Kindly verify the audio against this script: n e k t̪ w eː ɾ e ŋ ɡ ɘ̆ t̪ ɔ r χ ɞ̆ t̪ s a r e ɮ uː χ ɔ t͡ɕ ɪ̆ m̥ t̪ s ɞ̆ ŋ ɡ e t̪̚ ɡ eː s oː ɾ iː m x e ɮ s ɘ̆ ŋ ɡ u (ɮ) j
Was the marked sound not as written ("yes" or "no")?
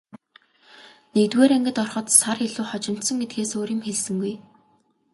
yes